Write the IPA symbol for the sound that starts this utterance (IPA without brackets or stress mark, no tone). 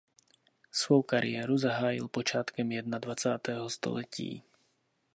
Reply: s